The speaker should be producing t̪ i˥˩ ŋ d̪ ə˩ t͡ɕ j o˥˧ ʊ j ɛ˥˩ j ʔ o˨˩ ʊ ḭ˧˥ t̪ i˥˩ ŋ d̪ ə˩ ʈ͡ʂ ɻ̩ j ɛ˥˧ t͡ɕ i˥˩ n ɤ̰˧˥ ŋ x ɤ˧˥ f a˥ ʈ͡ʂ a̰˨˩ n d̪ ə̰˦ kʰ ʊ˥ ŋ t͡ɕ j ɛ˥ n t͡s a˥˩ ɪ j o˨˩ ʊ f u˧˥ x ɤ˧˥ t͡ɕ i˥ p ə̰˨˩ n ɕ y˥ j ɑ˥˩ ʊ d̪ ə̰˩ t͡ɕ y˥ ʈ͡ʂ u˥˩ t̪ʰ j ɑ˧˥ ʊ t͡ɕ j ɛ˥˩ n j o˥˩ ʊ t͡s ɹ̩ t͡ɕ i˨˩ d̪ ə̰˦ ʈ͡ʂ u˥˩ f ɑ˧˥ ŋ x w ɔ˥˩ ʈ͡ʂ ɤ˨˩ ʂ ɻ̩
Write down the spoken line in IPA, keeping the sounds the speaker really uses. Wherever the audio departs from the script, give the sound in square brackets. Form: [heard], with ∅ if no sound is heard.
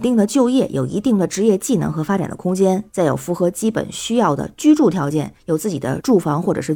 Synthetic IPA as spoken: t̪ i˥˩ ŋ d̪ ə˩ t͡ɕ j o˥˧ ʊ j ɛ˥˩ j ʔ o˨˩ ʊ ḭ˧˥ t̪ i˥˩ ŋ d̪ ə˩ ʈ͡ʂ ɻ̩ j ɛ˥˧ t͡ɕ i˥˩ n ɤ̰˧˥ ŋ x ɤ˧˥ f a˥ ʈ͡ʂ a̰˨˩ n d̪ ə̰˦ kʰ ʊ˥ ŋ t͡ɕ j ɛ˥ n t͡s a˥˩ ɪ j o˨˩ ʊ f u˧˥ x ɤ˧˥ t͡ɕ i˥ p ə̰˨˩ n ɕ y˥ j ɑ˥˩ ʊ d̪ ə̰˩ t͡ɕ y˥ ʈ͡ʂ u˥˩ t̪ʰ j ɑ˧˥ ʊ t͡ɕ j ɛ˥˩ n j [o˨˩] ʊ t͡s ɹ̩ t͡ɕ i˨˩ d̪ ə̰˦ ʈ͡ʂ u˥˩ f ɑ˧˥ ŋ x w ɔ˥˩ ʈ͡ʂ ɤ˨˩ ʂ ɻ̩